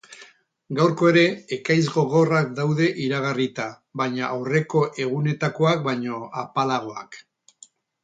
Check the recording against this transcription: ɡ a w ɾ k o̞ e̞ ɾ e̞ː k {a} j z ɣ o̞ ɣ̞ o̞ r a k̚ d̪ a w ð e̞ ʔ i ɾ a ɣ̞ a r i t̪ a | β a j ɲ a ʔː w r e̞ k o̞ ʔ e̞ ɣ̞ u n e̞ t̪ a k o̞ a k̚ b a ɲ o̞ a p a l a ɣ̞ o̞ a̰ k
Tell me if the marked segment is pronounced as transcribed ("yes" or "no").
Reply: yes